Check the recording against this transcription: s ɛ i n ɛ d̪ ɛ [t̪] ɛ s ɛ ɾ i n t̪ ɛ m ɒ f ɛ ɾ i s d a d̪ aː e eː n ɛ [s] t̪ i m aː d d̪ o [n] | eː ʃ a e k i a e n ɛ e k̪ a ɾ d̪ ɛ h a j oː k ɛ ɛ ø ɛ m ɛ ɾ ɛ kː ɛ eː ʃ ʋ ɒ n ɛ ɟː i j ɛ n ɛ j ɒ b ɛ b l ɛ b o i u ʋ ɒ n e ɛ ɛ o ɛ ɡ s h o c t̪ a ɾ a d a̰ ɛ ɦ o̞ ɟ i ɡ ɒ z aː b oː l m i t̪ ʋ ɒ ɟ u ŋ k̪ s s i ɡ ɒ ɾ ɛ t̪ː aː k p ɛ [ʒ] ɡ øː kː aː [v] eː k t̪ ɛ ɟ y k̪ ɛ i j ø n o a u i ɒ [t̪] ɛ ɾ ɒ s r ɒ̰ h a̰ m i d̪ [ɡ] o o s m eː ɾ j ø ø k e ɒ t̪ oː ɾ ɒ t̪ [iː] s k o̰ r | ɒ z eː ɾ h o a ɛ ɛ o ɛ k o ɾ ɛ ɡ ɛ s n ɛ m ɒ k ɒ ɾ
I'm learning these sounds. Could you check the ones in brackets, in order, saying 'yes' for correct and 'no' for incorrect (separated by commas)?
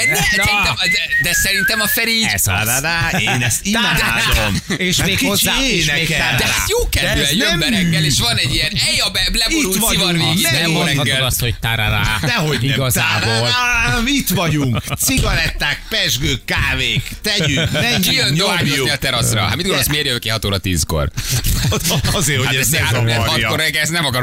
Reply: no, yes, no, yes, yes, yes, yes, yes